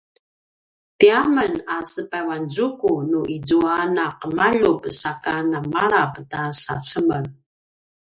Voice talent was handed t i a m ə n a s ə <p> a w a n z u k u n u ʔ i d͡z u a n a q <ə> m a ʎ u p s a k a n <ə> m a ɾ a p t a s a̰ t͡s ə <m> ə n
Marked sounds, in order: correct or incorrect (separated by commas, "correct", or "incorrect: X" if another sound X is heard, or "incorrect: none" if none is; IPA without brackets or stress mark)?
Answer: correct, correct, incorrect: a, correct